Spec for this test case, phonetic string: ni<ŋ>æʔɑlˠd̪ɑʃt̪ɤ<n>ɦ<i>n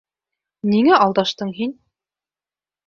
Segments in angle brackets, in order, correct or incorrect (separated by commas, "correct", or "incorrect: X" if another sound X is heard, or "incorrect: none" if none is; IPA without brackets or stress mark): correct, incorrect: ɴ, correct